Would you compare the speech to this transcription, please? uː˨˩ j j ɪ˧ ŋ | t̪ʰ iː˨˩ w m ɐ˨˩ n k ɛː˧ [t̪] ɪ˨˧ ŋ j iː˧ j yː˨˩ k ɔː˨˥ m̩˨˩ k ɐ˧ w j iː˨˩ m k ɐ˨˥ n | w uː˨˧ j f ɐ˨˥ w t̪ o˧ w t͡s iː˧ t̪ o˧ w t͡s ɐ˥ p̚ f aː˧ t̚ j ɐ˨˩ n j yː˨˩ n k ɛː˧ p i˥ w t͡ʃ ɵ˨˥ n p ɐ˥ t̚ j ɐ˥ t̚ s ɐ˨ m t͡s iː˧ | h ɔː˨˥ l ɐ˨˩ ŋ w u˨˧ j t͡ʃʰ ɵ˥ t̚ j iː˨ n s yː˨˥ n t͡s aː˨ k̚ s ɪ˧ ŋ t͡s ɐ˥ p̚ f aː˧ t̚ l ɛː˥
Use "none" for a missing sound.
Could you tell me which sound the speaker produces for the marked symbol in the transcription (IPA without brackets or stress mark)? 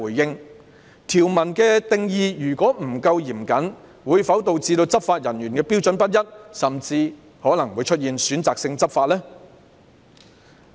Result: t̪